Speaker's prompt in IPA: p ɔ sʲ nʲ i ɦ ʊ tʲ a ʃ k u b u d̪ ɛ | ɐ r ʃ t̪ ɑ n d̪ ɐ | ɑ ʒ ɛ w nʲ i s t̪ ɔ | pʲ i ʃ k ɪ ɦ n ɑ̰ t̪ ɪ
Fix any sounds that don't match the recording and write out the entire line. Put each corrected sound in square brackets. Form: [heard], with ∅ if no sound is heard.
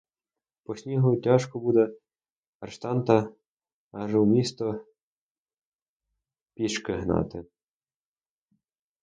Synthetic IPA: p ɔ sʲ nʲ i ɦ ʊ tʲ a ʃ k [ɔ] b u d̪ ɛ | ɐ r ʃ t̪ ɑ n [t̪] ɐ | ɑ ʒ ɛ w [mʲ] i s t̪ ɔ | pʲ i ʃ k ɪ ɦ n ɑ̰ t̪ ɪ